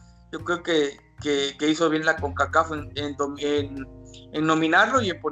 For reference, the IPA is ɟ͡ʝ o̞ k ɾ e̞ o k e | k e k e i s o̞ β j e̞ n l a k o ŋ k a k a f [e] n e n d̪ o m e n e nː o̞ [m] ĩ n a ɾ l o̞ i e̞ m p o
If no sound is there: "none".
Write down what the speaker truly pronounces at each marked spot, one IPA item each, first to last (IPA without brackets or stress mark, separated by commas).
e, m